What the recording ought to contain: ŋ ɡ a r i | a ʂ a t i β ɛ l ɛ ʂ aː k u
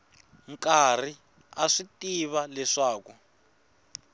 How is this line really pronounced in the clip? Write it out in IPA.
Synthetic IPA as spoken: ŋ k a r i | a ʂ i t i β a l ɛ ʂ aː k u

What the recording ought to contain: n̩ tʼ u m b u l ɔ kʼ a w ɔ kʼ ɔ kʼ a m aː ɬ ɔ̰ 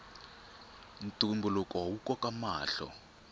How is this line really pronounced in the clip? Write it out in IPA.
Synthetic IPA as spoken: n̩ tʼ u m b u l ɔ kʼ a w u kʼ ɔ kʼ a m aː ɬ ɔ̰

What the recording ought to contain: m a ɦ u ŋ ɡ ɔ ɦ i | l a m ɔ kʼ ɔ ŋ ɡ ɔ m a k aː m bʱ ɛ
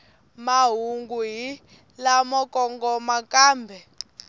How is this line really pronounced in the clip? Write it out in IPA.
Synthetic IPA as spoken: m a ɦ u ŋ ɡ u ɦ i | l a m ɔ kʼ ɔ ŋ ɡ ɔ m a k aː m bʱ ɛ

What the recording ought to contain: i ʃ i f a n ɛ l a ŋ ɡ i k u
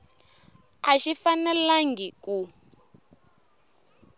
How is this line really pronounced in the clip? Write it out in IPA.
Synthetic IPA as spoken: a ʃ i f a n ɛ l a ŋ ɡ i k u

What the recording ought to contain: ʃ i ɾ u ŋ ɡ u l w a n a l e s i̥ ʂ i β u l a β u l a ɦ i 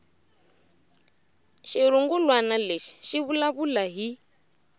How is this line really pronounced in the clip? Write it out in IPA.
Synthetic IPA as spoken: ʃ i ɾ u ŋ ɡ u l w a n a l e ʃ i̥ ʃ i β u l a β u l a ɦ i

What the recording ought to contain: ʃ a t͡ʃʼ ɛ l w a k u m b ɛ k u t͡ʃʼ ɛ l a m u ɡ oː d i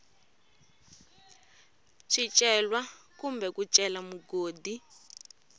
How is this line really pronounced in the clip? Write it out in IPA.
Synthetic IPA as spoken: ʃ i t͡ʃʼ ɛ l w a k u m b ɛ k u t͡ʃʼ ɛ l a m u ɡ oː d i

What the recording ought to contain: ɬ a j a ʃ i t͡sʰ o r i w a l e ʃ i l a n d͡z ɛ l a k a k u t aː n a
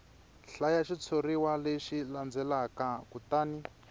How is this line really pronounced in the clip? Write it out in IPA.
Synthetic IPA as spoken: ɬ a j a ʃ i t͡sʰ o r i w a l e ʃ i l a n d͡z ɛ l a k a k u t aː n i

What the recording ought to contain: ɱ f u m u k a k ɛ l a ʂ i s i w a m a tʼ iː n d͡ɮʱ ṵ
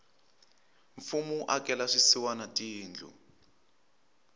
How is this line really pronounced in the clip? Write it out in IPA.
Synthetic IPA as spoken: ɱ f u m u ʔ a k ɛ l a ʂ i s i w a n a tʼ iː n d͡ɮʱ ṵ

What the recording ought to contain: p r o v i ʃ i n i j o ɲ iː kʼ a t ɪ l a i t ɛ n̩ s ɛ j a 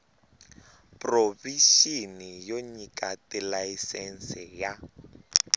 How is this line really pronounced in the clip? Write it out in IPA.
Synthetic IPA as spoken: p r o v i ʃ i n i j o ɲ i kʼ a t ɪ l a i s ɛ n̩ s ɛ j a

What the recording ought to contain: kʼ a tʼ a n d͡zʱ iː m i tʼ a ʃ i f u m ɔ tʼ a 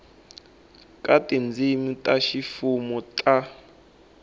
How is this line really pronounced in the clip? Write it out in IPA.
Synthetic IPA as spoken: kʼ a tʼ i n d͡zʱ i m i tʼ a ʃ i f u m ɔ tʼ a

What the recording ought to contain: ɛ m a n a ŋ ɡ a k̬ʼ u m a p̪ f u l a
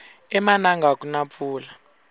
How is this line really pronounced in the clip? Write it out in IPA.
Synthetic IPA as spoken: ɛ m a n a ŋ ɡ a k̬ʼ u n a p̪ f uː l a

